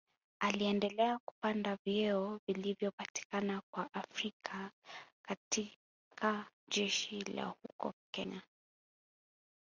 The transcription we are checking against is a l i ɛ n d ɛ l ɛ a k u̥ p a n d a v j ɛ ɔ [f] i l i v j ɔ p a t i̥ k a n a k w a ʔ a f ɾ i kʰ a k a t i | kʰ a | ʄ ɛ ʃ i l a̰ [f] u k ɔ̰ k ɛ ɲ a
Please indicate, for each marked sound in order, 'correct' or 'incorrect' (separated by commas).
incorrect, incorrect